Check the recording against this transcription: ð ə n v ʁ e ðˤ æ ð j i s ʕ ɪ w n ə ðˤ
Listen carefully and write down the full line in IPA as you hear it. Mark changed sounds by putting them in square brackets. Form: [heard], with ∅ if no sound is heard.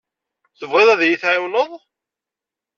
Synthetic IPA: [θ] ə [∅] v ʁ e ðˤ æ ð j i [θ] ʕ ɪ w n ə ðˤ